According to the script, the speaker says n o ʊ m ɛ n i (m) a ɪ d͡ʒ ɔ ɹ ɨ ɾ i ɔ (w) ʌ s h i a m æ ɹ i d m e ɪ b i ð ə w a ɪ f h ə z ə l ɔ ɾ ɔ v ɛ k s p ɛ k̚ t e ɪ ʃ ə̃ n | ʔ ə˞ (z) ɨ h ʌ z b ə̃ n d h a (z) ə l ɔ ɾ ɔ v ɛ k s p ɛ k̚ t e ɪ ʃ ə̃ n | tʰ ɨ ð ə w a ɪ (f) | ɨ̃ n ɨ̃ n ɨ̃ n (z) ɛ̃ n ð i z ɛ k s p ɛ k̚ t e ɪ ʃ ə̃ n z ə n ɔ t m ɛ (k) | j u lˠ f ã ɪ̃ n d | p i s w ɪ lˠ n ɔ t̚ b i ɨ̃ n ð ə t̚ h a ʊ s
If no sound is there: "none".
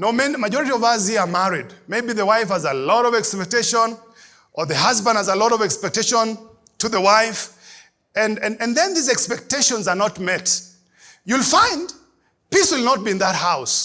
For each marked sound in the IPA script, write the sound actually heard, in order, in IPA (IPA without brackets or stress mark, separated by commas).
m, v, ð, z, f, ð, t